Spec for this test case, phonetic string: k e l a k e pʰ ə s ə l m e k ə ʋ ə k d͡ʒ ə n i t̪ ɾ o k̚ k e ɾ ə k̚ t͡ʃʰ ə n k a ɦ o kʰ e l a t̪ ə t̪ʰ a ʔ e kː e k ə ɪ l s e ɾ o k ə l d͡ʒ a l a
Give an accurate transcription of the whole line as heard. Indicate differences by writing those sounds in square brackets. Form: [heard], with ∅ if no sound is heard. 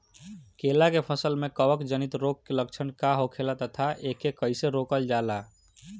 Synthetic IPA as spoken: k e l a k e pʰ ə s ə l m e k ə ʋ ə k d͡ʒ ə n i t̪ ɾ o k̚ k e [l] ə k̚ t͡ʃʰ ə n k a ɦ o kʰ e l a t̪ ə t̪ʰ a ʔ e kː e k ə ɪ [∅] s e ɾ o k ə l d͡ʒ a l a